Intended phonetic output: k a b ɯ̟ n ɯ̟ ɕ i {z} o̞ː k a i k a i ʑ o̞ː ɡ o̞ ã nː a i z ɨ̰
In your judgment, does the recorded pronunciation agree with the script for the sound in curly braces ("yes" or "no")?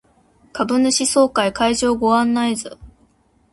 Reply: no